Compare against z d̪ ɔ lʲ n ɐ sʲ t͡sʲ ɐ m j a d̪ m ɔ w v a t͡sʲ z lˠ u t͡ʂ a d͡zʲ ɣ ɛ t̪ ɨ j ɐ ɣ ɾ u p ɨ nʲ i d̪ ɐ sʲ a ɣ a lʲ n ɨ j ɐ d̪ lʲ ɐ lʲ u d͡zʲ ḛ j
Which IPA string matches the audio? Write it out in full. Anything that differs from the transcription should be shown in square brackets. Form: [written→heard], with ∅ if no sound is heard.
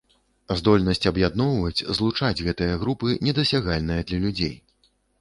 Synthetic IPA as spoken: z d̪ ɔ lʲ n ɐ sʲ t͡sʲ ɐ [m→b] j a d̪ [m→n] ɔ w v [a→ɐ] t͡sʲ z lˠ u t͡ʂ a d͡zʲ ɣ ɛ t̪ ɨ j ɐ ɣ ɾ u p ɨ nʲ [i→ɛ] d̪ ɐ sʲ a ɣ a lʲ n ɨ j ɐ d̪ lʲ ɐ lʲ u d͡zʲ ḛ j